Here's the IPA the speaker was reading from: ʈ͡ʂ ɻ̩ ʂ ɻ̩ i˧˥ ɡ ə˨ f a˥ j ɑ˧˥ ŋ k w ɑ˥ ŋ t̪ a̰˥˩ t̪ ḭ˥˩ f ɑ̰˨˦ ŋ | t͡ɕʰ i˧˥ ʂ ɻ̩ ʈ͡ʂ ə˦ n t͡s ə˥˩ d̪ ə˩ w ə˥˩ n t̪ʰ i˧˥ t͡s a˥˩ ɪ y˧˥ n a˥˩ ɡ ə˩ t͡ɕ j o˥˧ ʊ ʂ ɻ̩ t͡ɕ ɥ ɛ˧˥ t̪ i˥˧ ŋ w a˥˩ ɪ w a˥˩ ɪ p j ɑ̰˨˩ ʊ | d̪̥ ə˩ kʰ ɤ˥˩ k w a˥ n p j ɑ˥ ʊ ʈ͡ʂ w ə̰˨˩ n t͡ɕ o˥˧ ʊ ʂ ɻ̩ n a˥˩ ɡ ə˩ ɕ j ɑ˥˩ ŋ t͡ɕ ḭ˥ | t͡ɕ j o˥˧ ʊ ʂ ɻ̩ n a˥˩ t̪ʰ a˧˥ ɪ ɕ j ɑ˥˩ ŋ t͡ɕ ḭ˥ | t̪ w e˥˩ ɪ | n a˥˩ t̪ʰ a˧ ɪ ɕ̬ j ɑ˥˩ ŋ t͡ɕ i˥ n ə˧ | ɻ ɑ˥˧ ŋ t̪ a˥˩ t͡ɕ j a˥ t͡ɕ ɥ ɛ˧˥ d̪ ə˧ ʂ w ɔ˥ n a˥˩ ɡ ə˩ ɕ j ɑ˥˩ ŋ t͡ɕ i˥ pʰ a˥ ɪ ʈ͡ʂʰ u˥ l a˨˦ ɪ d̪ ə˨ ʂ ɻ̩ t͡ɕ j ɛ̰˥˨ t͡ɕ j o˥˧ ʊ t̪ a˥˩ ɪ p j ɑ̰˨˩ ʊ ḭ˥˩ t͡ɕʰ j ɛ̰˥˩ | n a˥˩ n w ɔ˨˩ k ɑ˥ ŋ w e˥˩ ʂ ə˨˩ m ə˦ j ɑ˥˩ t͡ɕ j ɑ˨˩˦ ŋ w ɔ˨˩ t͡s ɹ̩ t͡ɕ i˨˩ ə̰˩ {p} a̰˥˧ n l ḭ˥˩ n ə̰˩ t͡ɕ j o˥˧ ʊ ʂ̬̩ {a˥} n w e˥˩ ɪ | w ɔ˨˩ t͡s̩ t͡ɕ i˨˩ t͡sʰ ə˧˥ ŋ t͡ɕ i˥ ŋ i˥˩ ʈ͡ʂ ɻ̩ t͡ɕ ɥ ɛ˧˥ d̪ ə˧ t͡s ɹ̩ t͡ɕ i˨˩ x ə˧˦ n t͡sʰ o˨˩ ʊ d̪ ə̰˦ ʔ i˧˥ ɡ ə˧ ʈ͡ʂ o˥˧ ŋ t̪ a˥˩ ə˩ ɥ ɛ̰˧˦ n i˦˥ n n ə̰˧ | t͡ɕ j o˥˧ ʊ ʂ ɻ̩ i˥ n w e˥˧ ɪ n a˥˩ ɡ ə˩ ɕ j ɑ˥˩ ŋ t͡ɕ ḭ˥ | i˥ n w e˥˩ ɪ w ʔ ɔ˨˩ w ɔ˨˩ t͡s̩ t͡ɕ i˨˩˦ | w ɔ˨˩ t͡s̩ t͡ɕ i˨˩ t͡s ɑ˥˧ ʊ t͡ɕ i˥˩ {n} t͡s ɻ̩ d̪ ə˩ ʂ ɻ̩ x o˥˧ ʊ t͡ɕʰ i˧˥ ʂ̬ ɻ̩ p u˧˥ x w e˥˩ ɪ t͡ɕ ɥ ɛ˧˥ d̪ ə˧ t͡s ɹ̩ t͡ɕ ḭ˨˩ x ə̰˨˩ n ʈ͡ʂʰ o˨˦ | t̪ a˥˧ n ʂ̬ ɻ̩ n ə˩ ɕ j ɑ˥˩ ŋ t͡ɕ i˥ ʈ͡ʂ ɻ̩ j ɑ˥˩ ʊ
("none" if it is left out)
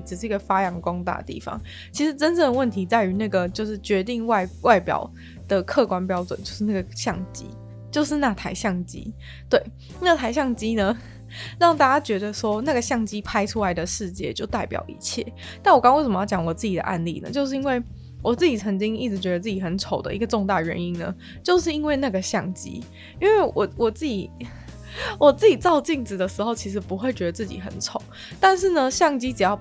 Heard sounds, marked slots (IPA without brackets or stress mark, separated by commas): ʔ, i˥, ŋ